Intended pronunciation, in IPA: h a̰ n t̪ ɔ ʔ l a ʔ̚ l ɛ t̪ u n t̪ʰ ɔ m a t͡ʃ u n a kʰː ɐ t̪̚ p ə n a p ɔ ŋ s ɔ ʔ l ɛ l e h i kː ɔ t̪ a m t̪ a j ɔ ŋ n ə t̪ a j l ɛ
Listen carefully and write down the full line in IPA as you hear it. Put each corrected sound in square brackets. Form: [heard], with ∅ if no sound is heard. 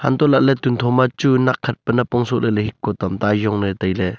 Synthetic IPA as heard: h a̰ n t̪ ɔ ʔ l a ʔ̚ l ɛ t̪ u n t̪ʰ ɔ m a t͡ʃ u n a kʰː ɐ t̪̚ p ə n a p ɔ ŋ s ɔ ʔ l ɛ l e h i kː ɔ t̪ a m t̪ a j ɔ ŋ n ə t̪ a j l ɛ